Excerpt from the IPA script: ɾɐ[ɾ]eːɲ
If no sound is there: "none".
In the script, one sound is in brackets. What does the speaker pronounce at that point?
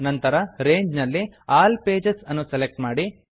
ɾ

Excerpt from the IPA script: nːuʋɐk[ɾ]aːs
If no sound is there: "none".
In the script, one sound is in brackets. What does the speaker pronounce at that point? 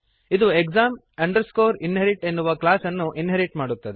l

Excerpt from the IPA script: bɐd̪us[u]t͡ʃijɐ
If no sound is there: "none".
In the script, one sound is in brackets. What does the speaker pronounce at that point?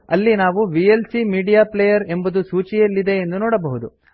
uː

